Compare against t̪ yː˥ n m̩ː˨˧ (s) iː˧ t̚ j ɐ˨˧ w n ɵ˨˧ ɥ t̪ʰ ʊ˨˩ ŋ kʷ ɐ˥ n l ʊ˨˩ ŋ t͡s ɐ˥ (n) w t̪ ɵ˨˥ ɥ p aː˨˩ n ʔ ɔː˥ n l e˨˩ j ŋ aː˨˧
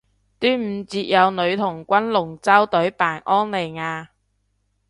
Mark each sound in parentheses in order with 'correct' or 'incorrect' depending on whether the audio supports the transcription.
incorrect: t͡s, incorrect: none

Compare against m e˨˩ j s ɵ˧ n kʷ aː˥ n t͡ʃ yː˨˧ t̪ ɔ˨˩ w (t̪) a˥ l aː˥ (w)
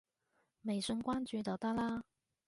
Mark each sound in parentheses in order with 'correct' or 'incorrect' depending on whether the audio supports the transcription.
correct, incorrect: none

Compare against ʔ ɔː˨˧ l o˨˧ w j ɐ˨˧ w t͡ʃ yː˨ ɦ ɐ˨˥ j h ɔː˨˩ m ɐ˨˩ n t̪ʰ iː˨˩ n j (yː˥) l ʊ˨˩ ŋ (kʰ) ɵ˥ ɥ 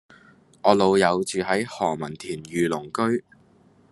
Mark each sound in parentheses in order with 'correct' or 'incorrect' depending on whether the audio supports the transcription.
incorrect: yː˨˧, incorrect: k

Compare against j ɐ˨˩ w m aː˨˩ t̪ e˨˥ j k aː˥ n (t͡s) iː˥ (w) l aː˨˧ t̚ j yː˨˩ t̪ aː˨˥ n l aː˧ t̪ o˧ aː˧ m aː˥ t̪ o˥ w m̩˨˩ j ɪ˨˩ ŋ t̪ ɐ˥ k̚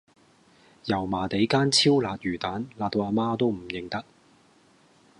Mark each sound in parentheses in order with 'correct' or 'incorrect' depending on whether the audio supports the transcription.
incorrect: t͡sʰ, correct

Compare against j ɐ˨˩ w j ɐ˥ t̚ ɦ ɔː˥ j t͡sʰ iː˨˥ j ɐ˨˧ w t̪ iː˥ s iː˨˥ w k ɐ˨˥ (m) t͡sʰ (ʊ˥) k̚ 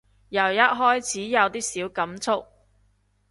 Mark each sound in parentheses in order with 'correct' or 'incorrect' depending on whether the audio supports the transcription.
correct, correct

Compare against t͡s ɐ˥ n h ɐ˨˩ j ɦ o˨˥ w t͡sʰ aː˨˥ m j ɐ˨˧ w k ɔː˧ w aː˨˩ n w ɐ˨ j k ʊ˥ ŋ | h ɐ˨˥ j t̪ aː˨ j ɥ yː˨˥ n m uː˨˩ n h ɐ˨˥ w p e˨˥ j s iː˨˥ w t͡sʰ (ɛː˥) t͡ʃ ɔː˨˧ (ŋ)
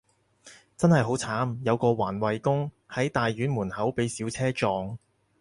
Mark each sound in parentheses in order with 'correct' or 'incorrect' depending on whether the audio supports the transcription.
correct, correct

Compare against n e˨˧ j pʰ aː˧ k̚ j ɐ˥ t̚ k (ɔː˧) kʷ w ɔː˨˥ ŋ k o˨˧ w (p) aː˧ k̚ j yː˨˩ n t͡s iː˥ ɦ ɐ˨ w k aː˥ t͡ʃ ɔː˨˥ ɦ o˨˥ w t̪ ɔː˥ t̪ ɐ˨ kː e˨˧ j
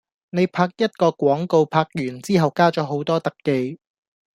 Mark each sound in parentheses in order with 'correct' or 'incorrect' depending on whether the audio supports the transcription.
correct, incorrect: pʰ

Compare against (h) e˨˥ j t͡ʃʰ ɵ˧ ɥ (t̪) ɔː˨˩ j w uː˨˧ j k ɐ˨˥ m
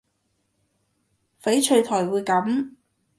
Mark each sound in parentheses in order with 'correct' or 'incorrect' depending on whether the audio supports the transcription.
incorrect: f, incorrect: t̪ʰ

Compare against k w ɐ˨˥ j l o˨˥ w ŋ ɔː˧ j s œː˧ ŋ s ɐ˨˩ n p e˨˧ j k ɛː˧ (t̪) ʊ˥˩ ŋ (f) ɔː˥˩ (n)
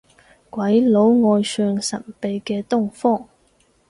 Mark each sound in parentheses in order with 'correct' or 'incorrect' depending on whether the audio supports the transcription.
correct, correct, incorrect: ŋ

